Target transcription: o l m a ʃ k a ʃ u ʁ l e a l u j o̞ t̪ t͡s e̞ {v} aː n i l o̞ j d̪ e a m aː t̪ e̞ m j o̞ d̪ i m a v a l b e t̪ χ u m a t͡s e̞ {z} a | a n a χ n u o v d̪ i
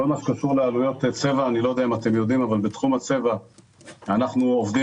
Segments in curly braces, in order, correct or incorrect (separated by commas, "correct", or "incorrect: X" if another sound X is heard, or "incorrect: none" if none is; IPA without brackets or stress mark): correct, incorrect: v